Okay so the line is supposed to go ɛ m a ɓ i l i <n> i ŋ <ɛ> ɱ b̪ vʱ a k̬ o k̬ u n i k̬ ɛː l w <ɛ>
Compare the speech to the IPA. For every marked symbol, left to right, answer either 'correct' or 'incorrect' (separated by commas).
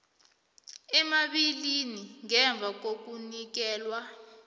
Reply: correct, correct, incorrect